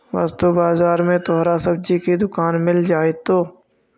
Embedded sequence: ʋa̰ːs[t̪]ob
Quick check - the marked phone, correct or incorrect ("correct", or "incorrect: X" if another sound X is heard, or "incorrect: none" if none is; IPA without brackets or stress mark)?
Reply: correct